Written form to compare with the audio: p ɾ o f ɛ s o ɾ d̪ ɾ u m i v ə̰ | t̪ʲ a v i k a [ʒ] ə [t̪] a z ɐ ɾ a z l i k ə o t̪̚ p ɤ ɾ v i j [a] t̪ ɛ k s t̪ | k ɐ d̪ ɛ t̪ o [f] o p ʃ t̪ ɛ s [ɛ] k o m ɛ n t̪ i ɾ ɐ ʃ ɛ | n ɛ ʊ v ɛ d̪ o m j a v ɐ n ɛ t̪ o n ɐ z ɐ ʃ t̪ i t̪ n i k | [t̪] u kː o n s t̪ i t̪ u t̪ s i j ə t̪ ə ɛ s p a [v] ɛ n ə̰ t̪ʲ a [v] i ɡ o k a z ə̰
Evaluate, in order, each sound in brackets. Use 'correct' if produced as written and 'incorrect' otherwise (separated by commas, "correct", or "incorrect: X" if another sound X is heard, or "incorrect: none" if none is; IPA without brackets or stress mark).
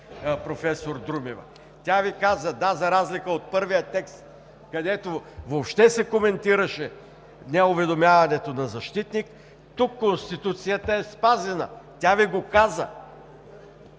incorrect: z, incorrect: d̪, incorrect: ə, incorrect: v, correct, correct, incorrect: z, correct